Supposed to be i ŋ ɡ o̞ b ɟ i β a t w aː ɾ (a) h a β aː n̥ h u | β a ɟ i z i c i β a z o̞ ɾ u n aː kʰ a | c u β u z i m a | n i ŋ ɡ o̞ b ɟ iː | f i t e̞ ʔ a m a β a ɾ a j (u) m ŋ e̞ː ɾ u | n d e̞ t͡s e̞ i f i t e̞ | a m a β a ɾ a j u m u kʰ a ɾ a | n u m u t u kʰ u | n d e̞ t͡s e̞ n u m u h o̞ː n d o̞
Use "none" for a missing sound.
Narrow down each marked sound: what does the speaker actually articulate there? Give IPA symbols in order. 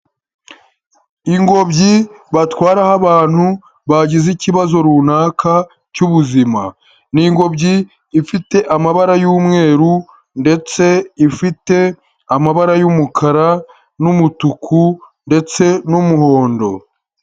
a, uː

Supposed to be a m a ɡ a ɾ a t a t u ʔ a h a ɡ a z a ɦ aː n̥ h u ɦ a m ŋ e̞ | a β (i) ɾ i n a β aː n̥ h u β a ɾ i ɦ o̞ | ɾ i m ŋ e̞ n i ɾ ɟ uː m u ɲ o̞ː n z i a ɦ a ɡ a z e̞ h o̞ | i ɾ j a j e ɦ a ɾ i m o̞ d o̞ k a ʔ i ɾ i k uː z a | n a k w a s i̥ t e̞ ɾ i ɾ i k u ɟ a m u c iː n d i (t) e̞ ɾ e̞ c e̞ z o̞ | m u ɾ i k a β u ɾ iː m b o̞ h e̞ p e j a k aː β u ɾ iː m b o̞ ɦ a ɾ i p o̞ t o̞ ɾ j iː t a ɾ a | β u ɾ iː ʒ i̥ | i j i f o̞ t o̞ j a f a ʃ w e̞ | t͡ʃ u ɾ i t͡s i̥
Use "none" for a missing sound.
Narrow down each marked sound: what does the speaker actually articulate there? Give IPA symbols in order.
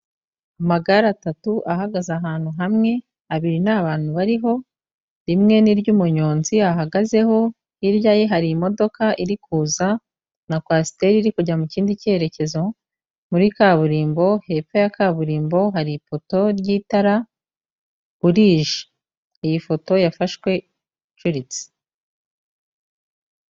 i, c

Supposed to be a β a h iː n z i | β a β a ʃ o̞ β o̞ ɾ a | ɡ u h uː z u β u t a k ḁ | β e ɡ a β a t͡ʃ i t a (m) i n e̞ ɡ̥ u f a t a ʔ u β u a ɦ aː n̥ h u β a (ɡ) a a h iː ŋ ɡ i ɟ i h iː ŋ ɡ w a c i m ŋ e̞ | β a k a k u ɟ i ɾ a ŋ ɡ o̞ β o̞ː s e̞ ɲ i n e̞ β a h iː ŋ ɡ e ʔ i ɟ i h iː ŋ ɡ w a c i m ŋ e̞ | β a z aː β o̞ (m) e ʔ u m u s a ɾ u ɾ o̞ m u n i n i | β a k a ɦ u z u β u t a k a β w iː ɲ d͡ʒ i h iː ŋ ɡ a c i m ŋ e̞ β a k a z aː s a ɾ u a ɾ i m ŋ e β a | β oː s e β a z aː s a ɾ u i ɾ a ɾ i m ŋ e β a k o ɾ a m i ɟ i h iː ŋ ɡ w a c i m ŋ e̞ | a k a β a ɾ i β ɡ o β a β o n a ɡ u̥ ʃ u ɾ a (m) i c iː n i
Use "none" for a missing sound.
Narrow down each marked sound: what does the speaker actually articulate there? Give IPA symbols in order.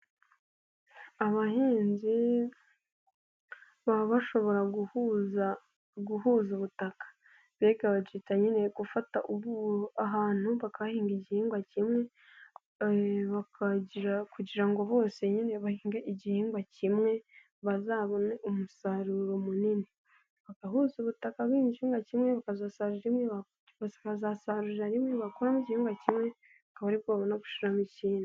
ɲ, k, n, m

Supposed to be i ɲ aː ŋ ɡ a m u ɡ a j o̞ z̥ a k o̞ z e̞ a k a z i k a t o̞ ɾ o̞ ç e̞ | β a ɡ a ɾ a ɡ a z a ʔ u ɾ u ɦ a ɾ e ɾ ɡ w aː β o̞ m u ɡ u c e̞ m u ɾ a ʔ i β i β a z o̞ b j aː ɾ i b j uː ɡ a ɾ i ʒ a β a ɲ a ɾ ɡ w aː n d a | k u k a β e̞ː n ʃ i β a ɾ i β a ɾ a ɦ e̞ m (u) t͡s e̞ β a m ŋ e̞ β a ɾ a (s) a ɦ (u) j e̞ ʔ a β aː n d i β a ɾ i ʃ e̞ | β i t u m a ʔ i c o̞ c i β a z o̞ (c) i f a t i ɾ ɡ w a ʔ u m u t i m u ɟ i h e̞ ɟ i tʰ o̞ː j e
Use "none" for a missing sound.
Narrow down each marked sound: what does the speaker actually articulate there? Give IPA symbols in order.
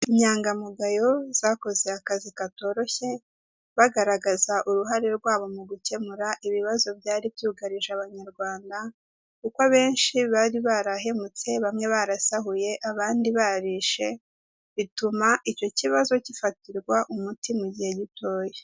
u, s, u, c

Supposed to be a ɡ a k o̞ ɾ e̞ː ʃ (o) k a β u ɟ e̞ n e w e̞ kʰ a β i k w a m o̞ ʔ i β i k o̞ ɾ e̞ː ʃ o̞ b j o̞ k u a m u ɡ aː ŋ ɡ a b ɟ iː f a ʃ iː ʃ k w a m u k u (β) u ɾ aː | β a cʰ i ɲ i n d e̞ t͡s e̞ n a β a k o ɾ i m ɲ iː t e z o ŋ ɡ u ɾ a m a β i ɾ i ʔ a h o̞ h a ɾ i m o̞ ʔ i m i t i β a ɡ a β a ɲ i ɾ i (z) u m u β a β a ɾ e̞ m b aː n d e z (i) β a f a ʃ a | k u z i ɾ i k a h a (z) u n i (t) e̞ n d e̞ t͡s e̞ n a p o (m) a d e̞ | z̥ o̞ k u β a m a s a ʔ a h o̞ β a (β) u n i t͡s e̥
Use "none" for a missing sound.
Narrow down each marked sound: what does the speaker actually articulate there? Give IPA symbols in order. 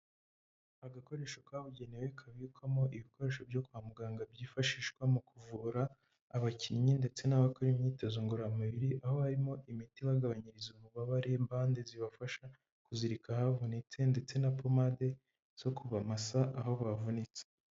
o, v, z, i, v, t͡s, m, v

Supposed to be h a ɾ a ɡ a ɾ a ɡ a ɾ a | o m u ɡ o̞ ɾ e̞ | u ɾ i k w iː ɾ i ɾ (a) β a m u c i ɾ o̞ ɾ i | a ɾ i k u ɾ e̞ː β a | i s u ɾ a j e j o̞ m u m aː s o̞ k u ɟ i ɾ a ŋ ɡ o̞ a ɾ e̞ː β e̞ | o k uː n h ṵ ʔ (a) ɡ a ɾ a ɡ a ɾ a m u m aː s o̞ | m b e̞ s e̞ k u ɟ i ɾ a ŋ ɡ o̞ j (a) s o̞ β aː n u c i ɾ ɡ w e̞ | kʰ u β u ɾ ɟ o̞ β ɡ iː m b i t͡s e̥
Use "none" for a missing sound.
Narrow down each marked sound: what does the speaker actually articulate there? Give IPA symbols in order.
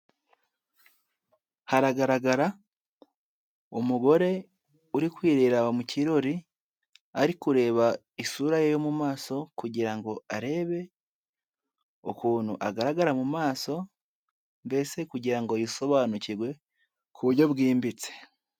a, a, i

